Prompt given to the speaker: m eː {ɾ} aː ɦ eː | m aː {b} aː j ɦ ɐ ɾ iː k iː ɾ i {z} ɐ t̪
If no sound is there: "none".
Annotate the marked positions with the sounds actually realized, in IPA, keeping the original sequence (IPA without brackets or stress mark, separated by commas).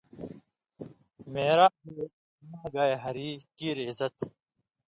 ɾ, ɡ, z